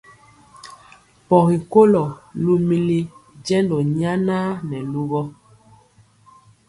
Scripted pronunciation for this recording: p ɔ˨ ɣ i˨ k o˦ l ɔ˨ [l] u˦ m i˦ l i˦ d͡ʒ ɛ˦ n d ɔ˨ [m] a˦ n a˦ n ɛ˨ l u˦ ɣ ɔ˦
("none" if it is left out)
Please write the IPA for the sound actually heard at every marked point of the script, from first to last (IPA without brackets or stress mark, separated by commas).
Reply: l, ɲ